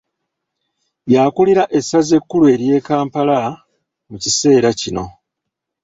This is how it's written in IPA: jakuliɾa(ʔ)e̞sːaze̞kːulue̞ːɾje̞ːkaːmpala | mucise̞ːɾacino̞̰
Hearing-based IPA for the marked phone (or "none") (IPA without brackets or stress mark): ʔ